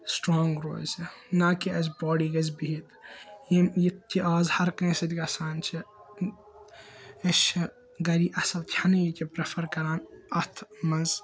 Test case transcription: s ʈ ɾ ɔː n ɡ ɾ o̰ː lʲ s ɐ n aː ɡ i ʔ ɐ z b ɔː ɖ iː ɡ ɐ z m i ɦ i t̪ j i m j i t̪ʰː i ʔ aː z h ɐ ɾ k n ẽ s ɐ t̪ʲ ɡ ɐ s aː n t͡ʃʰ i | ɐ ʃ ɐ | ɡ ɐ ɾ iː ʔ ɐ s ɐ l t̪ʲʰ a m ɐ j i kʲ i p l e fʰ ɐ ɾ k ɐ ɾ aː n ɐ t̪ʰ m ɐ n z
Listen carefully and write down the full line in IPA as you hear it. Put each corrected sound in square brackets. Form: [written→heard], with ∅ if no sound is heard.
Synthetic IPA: s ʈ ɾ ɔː [n→ŋ] ɡ ɾ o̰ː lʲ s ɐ n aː [ɡ→k] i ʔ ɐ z b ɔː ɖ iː ɡ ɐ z [m→b] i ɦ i t̪ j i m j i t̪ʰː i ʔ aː z h ɐ ɾ k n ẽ s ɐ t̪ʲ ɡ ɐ s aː n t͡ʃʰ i | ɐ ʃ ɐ | ɡ ɐ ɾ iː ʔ ɐ s ɐ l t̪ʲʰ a [m→n] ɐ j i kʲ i p [l→ɾ] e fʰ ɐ ɾ k ɐ ɾ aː n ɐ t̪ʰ m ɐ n z